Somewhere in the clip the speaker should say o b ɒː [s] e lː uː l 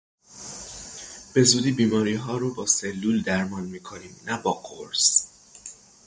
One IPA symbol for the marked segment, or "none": s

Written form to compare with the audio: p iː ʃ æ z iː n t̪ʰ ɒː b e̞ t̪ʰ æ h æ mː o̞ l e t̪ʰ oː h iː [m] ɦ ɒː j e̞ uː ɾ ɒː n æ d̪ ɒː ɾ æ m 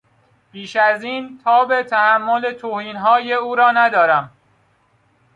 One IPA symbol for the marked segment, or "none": n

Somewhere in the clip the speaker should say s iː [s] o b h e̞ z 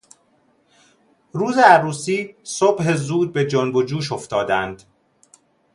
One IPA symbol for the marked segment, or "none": s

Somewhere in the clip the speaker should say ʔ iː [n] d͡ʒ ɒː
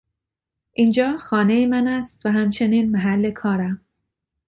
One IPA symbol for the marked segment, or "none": n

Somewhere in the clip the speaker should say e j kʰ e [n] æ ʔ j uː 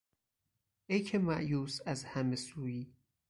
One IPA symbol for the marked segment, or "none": m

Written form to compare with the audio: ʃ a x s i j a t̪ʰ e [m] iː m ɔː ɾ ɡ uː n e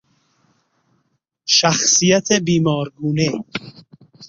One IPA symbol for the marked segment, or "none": b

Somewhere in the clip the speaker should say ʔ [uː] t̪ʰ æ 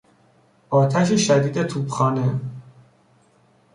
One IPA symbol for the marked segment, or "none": ɒː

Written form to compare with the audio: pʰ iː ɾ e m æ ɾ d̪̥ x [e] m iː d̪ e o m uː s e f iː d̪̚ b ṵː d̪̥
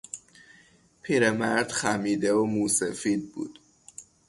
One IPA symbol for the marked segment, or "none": æ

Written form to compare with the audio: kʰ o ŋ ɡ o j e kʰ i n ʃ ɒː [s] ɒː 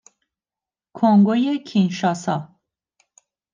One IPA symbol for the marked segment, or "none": s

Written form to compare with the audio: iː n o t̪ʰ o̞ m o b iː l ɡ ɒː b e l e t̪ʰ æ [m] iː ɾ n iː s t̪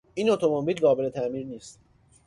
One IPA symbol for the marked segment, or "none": m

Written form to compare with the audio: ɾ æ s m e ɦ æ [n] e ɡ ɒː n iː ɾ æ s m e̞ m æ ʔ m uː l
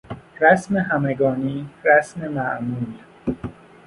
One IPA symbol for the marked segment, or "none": m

